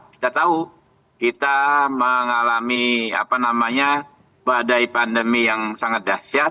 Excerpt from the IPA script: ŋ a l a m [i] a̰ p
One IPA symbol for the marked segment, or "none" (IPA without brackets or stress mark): i